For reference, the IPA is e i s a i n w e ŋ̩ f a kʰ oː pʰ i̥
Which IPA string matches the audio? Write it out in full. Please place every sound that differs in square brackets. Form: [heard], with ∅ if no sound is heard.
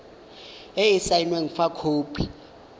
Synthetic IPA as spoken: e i s a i n w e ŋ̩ f a kʰ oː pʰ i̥